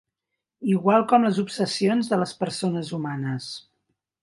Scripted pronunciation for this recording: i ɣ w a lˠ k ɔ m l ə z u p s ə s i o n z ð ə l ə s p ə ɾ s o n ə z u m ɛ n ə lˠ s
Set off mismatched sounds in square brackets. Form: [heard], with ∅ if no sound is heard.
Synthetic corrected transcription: i ɣ w a lˠ k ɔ m l ə z u p s ə s i o n z ð ə l ə s p ə ɾ s o n ə z u m [a] n ə [∅] s

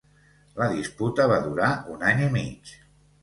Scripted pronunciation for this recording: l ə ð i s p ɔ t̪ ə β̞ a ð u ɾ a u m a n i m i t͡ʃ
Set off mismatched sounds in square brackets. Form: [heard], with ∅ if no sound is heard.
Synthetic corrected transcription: l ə ð i s p [u] t̪ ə β̞ a ð u ɾ a u [n] a [ɲ] i m i t͡ʃ

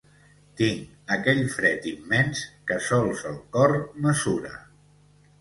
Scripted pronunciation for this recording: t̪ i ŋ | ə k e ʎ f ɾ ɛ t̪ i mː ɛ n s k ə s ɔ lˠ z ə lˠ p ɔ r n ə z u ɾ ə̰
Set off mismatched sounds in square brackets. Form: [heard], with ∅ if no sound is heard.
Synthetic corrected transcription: t̪ i ŋ | ə k [ɛ] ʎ f ɾ ɛ t̪ i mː ɛ n s k ə s ɔ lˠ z ə lˠ [k] ɔ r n ə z u ɾ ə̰

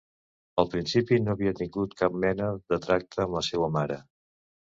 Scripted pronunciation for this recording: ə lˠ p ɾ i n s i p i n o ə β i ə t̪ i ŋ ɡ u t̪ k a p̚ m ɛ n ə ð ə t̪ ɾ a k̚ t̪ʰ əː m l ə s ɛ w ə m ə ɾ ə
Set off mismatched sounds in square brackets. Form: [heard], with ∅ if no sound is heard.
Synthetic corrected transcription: ə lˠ p ɾ i n s i p i n o ə β i ə t̪ i ŋ ɡ u t̪ k a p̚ m ɛ n ə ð ə t̪ ɾ a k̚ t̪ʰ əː m l ə s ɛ w ə m [a] ɾ ə

